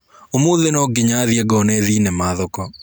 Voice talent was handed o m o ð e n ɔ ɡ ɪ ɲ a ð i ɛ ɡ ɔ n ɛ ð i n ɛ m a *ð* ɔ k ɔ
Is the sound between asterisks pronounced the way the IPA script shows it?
yes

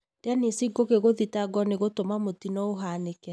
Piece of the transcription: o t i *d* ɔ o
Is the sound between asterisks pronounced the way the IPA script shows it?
no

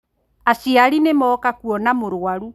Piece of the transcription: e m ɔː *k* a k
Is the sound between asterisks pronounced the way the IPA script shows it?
yes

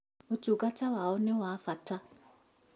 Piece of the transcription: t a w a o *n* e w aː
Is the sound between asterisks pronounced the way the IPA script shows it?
yes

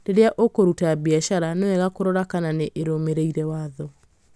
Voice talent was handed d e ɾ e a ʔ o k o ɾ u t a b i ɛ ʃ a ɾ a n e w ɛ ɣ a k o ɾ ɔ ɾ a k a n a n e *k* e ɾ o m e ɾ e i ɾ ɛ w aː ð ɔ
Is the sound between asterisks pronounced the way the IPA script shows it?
no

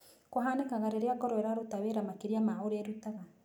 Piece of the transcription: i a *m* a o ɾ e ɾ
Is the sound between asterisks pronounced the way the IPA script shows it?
yes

